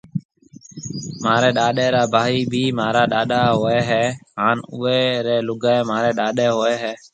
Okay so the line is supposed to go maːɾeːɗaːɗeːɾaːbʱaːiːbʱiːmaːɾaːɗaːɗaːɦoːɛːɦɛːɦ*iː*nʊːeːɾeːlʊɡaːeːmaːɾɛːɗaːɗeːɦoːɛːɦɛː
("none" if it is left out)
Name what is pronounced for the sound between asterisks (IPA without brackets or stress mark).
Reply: aː